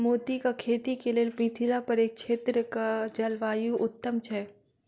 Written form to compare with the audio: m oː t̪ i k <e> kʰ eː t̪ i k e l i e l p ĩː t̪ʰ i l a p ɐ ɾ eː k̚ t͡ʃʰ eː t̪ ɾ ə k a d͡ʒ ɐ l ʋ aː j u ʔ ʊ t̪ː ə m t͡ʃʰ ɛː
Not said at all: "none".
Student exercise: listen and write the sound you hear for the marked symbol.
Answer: a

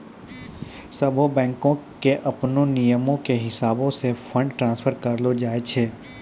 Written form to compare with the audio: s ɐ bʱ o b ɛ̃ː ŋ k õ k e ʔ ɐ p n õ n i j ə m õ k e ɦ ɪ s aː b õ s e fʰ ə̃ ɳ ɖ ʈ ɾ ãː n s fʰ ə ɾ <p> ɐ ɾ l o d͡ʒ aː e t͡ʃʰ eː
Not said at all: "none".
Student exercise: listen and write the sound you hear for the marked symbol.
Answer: k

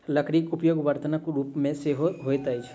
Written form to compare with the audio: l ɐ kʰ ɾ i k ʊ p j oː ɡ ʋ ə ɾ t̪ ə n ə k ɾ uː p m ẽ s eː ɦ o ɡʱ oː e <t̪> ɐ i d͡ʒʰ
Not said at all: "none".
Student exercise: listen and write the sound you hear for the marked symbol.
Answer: t̪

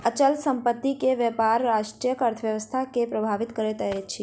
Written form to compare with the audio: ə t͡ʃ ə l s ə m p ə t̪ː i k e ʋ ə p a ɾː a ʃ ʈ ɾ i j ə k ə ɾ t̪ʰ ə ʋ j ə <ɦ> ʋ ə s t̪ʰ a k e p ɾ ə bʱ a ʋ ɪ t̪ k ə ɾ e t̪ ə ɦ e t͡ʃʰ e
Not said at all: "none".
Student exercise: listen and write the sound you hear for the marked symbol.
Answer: none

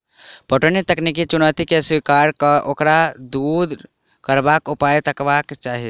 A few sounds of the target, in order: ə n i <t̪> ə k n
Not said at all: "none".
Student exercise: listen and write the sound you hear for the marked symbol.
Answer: t̪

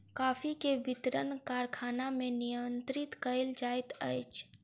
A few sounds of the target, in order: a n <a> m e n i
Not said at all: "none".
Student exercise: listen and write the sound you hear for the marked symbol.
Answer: a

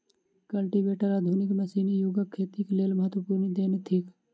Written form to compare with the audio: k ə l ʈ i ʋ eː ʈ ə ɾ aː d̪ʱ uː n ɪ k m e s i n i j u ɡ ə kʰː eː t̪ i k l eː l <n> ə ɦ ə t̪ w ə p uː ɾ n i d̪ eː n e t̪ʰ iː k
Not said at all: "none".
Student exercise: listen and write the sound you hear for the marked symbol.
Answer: m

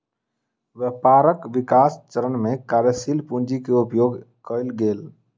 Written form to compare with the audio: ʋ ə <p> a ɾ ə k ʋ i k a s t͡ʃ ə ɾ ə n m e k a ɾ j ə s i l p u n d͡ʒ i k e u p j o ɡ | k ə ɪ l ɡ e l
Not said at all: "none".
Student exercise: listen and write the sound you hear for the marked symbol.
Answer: p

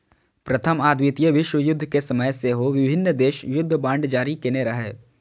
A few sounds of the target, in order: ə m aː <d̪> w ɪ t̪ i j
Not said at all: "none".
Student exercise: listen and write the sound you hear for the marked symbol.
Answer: d̪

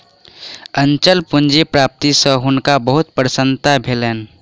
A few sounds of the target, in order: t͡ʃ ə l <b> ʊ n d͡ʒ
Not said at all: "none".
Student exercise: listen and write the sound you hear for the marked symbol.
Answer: p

